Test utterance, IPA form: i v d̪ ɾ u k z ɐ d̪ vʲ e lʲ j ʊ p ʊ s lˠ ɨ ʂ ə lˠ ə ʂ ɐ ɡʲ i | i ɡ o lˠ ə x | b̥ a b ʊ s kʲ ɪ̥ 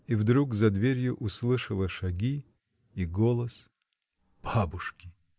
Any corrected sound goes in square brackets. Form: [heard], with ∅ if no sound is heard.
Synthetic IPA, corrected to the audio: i v d̪ ɾ u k z ɐ d̪ vʲ e [ɾʲ] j ʊ [ʔ] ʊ s lˠ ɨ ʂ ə lˠ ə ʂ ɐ ɡʲ i | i ɡ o lˠ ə [s] | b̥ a b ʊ [ʂ] kʲ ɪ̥